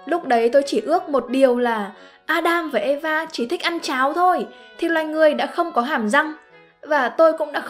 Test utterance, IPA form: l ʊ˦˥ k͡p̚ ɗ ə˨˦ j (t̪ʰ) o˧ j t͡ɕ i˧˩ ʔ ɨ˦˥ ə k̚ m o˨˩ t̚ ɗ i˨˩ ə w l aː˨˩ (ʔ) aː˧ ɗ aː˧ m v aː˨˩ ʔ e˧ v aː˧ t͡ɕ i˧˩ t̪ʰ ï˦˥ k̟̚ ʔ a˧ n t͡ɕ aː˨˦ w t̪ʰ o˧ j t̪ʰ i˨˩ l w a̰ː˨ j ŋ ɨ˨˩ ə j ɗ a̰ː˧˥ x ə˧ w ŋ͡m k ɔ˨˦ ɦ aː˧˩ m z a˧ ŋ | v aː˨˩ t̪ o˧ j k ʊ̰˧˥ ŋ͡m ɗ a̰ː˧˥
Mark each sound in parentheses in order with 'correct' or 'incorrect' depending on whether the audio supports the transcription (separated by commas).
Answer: incorrect, correct